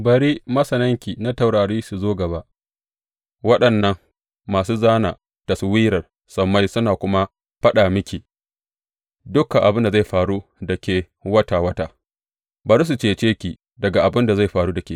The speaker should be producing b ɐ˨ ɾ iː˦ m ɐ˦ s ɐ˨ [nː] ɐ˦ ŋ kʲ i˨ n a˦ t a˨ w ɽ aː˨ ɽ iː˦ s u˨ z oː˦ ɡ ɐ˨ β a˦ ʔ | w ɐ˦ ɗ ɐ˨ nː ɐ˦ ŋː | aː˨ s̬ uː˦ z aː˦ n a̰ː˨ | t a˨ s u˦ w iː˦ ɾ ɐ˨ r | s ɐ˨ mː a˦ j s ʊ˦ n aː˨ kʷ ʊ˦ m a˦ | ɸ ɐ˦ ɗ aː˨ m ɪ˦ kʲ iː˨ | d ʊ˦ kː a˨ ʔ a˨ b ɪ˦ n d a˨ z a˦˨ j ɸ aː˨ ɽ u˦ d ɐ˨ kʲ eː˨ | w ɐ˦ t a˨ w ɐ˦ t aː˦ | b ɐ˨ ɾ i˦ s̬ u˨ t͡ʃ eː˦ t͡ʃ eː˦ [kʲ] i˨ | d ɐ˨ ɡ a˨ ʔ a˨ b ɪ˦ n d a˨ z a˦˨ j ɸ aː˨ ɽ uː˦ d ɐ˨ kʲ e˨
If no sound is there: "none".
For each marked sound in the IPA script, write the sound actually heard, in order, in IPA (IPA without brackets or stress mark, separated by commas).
n, kʲ